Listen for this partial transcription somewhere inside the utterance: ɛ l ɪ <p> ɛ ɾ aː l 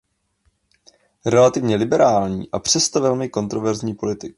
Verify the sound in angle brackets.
incorrect: b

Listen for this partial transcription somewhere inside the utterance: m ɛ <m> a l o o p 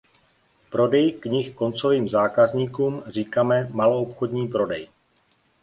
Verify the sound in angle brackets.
correct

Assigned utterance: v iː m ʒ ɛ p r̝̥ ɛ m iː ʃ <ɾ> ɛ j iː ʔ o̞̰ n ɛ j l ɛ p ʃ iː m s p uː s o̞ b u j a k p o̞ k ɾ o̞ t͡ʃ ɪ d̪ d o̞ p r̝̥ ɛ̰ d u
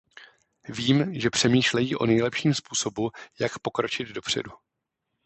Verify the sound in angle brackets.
incorrect: l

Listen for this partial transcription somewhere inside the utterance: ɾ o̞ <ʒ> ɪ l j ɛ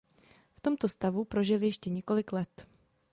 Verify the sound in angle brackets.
correct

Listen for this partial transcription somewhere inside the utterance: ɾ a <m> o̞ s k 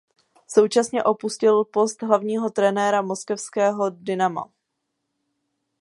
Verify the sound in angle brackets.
correct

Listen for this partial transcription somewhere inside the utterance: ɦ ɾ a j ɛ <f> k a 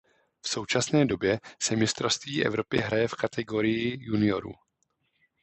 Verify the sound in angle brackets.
correct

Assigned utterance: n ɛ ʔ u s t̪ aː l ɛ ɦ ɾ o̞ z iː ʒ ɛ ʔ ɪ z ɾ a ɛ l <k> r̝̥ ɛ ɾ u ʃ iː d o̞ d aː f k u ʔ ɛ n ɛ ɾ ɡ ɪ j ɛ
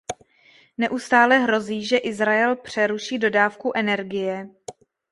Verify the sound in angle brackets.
incorrect: p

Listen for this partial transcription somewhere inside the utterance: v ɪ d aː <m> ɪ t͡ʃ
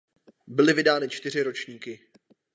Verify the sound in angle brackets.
incorrect: n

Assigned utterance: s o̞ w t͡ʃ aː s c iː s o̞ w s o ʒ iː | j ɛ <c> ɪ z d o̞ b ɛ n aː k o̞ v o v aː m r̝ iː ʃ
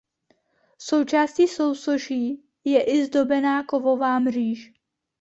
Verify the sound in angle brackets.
incorrect: ʔ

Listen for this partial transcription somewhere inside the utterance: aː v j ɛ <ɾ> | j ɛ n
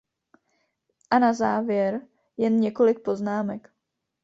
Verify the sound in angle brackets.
correct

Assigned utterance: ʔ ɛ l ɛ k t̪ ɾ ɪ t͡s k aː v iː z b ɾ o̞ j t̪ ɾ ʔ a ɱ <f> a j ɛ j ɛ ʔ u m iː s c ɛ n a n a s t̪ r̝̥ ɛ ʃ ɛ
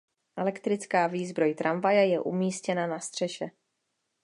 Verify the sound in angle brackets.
incorrect: v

